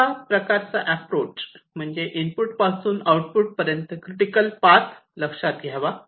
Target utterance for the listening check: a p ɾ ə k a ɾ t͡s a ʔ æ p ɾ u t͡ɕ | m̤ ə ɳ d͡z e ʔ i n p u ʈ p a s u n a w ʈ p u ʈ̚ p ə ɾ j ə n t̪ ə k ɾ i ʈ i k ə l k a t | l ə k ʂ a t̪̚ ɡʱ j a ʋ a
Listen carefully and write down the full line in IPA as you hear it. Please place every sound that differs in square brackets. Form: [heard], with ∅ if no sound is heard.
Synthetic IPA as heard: a p ɾ ə k a ɾ t͡s a ʔ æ p ɾ [o] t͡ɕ | m̤ ə ɳ d͡z e ʔ i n p u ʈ p a s [uː] n a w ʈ p u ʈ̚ p ə ɾ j ə n t̪ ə k ɾ i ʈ i k ə l [p] a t | l ə k ʂ a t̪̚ ɡʱ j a ʋ a